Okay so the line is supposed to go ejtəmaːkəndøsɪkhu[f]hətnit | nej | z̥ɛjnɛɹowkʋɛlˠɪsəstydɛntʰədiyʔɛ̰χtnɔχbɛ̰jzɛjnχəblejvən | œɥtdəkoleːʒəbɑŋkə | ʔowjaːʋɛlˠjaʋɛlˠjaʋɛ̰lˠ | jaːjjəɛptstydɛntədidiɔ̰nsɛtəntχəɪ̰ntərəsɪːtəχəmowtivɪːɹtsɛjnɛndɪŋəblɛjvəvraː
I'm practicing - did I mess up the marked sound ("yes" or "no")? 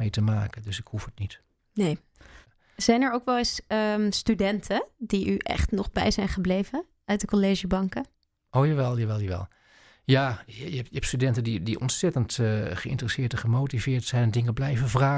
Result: no